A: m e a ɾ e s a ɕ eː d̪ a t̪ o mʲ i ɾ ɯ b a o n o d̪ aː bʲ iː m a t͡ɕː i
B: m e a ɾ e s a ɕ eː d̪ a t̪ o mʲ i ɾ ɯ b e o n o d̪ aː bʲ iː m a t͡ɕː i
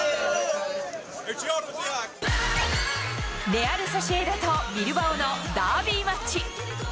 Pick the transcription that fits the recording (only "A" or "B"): A